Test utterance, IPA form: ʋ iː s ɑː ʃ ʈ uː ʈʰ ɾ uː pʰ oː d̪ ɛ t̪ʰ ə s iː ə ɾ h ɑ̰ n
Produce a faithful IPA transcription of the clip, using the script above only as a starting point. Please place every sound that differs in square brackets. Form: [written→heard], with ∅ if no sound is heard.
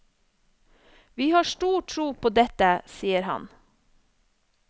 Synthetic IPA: ʋ iː [s→h] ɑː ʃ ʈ uː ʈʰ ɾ uː pʰ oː d̪ ɛ [t̪ʰ→t̪] ə s iː ə ɾ h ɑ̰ n